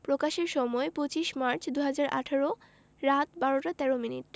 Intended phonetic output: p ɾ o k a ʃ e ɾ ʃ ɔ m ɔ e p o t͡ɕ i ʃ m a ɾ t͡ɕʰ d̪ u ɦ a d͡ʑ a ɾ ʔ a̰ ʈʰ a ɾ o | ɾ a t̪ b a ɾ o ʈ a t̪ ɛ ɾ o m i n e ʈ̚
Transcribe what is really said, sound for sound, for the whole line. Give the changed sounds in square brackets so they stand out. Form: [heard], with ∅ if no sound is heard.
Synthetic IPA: p ɾ o k a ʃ e ɾ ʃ ɔ m ɔ e p o t͡ɕ i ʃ m a ɾ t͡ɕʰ d̪ u ɦ a d͡ʑ a ɾ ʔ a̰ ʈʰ a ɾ o | ɾ a t̪ b a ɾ o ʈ a t̪ ɛ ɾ o m i n [i] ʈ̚